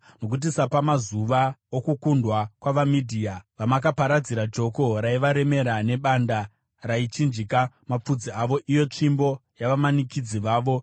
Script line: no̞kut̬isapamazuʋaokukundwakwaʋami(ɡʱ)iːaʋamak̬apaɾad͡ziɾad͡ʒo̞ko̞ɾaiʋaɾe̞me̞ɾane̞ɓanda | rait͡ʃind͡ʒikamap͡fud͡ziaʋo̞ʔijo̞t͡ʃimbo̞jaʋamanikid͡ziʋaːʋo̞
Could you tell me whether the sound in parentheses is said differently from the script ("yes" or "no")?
yes